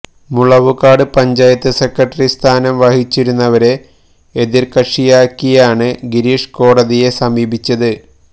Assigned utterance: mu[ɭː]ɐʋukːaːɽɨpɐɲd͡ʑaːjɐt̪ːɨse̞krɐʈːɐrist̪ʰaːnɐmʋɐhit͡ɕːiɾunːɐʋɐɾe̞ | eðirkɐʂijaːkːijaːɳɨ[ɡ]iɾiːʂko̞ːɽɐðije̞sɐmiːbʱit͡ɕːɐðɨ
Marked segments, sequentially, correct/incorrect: incorrect: ɭ, correct

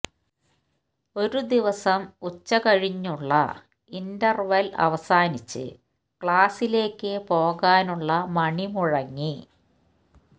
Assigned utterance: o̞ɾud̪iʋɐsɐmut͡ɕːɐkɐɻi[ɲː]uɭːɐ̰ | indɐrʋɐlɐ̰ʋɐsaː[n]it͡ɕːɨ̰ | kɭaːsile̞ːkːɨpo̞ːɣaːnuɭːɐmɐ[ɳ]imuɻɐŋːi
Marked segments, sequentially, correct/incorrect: correct, correct, correct

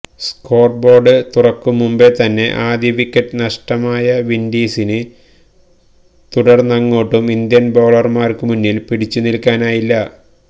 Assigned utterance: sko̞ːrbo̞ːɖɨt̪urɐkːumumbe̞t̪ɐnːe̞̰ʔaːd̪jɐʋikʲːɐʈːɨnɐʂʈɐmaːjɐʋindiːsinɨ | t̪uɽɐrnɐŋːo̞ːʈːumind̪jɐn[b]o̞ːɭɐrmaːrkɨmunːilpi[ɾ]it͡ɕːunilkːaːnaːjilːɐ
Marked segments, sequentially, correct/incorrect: correct, incorrect: ɽ

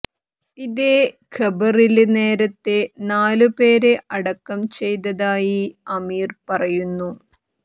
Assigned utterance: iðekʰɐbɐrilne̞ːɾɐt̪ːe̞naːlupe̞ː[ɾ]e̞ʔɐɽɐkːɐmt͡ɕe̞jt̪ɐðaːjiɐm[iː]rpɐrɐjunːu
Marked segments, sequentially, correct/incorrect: correct, correct

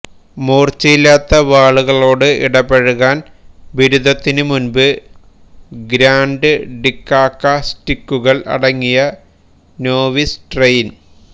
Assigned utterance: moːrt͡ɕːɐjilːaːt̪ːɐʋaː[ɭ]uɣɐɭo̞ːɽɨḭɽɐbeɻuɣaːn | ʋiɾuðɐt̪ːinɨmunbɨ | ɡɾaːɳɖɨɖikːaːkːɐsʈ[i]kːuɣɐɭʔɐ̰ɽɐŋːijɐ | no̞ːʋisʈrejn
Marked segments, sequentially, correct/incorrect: correct, correct

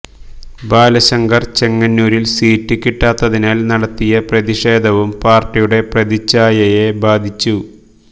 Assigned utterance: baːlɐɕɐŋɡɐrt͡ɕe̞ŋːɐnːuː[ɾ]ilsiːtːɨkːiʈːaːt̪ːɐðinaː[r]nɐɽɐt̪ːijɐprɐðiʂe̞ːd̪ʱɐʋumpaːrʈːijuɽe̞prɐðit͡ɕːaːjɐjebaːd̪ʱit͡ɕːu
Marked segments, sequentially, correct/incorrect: correct, incorrect: l

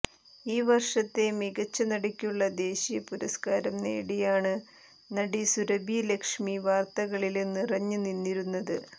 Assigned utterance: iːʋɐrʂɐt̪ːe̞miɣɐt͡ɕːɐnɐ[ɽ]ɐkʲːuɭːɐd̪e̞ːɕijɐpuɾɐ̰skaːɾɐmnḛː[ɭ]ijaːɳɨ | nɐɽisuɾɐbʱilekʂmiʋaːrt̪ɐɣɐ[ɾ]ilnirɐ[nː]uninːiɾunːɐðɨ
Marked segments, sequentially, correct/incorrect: correct, incorrect: ɽ, incorrect: ɭ, incorrect: ɲː

